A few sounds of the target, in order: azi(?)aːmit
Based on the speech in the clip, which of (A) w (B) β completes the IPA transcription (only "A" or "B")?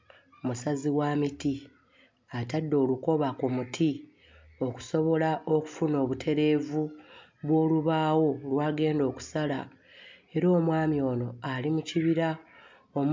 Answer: A